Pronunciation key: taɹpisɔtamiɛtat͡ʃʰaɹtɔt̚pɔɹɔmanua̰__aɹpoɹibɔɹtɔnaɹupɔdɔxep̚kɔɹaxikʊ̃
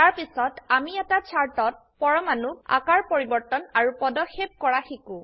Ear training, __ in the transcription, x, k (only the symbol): k